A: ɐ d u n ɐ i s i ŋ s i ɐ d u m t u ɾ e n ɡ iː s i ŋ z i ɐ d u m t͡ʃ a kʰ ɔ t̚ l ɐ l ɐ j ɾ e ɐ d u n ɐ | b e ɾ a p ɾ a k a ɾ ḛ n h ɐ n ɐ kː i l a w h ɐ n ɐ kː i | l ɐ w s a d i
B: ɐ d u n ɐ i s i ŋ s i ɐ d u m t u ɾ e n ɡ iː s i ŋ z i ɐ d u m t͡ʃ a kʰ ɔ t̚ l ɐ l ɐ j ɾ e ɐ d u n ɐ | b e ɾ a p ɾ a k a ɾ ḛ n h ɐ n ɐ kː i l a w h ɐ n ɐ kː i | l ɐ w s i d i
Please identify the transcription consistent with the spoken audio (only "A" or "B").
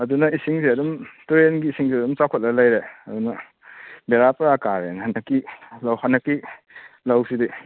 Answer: B